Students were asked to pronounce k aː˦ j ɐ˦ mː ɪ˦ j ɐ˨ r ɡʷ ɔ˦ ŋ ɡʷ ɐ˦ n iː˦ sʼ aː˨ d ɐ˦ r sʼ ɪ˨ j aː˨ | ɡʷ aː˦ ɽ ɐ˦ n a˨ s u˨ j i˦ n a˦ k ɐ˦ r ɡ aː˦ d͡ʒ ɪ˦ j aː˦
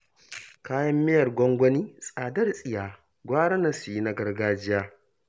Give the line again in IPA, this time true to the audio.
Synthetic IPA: k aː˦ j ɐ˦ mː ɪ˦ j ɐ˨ r ɡʷ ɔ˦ ŋ ɡʷ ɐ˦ n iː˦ sʼ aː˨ d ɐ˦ r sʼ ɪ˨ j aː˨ | ɡʷ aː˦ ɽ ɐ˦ n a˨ s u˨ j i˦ n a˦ ɡ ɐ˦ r ɡ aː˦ d͡ʒ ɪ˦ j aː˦